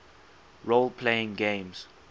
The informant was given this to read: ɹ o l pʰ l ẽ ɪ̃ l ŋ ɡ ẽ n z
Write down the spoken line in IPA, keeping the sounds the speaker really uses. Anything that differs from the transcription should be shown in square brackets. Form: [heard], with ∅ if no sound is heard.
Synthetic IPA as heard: ɹ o l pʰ l [e] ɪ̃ [∅] ŋ ɡ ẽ [m] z